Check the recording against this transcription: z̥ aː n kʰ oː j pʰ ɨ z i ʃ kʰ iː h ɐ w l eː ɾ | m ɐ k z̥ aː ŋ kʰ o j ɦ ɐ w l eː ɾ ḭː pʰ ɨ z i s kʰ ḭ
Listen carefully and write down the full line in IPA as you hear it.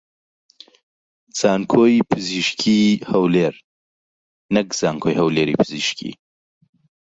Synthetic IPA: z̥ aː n kʰ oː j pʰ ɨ z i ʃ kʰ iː h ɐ w l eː ɾ | n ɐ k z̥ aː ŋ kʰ o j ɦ ɐ w l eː ɾ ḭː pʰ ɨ z i ʃ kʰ ḭ